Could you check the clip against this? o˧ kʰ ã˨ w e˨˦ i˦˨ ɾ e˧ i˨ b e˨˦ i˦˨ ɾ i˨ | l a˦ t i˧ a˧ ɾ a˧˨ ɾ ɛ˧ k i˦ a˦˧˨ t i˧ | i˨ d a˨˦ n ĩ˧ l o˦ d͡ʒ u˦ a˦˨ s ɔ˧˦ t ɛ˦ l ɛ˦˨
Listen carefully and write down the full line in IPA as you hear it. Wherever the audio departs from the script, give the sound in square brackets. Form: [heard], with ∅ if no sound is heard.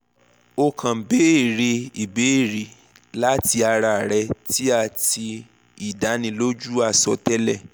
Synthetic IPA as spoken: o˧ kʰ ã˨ [b] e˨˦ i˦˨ ɾ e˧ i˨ b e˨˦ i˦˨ ɾ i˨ | l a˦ t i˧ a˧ ɾ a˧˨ ɾ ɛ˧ [t] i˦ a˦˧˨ t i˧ | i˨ d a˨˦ n ĩ˧ l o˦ d͡ʒ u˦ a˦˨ s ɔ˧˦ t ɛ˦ l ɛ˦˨